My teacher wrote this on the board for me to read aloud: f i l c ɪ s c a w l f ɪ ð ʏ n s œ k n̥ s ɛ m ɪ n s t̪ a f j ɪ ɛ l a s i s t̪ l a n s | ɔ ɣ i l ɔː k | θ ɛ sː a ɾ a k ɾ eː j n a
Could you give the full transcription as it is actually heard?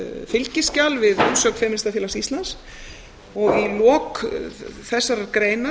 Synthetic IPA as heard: f ɪ l c ɪ s c a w l v ɪ ð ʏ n s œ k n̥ f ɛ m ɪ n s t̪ a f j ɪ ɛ l a s i s t̪ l a n s | ɔ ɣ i l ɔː k | θ ɛ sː a ɾ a k ɾ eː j n a